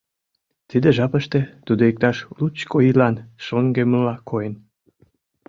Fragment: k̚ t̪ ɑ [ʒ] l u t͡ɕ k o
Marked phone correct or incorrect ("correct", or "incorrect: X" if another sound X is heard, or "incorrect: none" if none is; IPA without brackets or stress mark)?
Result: incorrect: ʃ